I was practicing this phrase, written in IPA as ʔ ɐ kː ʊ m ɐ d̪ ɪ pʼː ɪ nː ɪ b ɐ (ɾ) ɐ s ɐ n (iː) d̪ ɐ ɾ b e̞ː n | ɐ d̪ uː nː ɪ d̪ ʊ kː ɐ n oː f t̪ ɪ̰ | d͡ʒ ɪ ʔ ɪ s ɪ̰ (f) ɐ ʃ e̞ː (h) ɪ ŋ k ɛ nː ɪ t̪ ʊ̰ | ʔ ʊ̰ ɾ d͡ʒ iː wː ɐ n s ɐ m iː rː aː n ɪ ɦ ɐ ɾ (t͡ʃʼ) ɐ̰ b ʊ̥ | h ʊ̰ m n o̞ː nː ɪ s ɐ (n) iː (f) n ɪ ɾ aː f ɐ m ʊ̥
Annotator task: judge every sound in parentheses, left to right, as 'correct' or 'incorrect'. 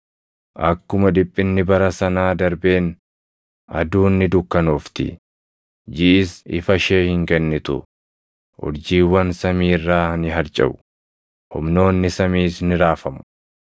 correct, incorrect, correct, correct, correct, incorrect, incorrect

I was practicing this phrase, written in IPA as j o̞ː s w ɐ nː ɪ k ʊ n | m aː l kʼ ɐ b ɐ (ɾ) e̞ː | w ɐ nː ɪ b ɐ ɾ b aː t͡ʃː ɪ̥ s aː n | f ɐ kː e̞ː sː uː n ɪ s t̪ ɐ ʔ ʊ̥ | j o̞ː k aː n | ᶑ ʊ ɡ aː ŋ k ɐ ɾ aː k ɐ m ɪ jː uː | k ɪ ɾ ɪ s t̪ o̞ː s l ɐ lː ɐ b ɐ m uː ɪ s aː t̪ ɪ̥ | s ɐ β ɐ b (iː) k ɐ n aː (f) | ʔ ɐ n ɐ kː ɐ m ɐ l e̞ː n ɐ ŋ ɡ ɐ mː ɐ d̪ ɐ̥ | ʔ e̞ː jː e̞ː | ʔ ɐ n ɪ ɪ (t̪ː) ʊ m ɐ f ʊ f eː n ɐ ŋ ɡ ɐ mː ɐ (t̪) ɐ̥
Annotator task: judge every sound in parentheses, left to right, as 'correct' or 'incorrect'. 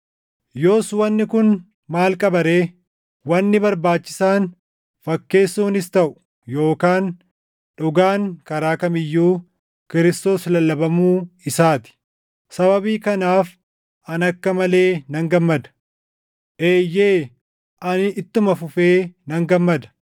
correct, correct, correct, correct, incorrect

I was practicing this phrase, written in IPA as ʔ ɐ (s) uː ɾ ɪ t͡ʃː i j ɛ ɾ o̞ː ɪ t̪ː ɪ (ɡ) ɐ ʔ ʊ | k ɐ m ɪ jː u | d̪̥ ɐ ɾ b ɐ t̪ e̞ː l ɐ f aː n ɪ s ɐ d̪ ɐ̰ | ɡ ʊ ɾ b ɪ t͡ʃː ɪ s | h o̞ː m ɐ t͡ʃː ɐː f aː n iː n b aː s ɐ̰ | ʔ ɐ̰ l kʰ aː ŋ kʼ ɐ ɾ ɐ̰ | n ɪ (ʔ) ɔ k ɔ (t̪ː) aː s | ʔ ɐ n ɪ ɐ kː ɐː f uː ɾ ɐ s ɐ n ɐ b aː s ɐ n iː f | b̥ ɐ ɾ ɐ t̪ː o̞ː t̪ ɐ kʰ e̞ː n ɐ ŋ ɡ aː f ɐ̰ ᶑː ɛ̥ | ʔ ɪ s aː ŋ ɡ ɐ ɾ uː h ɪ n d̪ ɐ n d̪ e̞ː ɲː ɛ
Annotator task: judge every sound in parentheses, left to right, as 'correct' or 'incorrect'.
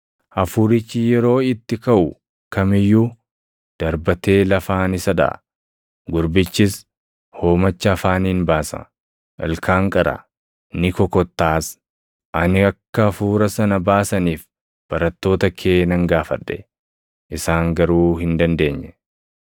incorrect, incorrect, incorrect, correct

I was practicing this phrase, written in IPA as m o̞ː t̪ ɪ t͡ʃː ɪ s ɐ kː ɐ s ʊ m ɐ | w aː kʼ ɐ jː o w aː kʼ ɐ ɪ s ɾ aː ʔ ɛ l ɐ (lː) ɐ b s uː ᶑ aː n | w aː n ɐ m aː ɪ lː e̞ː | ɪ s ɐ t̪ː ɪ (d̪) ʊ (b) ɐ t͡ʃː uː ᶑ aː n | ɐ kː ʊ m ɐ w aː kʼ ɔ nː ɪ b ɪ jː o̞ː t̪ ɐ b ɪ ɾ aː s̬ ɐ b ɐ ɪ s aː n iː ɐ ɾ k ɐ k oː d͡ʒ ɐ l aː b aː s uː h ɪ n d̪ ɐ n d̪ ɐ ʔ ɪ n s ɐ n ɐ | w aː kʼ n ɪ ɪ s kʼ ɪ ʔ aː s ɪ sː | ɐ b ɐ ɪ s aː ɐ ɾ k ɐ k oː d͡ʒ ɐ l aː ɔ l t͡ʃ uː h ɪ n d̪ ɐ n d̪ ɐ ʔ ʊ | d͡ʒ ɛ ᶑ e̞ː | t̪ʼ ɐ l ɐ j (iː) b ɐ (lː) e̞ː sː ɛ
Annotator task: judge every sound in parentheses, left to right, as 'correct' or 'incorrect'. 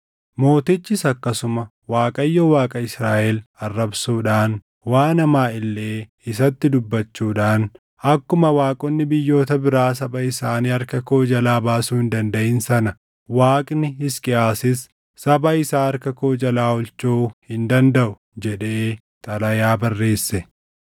incorrect, correct, incorrect, incorrect, incorrect

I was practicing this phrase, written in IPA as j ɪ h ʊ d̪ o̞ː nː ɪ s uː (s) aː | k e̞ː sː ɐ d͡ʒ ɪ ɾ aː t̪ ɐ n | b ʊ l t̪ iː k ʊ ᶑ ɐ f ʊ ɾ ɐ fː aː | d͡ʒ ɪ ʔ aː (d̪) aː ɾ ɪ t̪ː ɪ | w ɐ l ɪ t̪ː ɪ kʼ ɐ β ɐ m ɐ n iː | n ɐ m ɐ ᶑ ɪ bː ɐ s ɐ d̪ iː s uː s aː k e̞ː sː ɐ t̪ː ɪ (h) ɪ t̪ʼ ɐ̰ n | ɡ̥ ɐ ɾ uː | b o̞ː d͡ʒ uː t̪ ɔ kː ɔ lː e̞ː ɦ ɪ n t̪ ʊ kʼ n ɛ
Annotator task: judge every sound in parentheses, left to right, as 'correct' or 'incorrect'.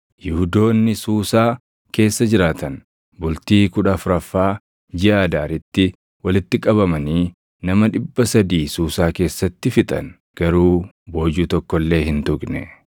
correct, correct, incorrect

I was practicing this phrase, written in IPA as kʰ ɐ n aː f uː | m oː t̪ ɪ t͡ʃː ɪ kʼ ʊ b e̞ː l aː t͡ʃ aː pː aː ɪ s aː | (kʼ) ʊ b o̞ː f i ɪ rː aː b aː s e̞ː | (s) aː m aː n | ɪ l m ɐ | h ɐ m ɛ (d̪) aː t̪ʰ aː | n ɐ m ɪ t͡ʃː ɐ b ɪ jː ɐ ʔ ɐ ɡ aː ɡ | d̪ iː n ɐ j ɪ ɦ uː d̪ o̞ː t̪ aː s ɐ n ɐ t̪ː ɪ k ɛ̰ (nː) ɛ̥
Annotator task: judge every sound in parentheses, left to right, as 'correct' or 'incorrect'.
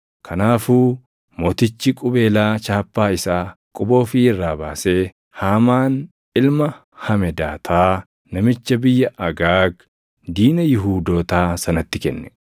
correct, incorrect, correct, correct

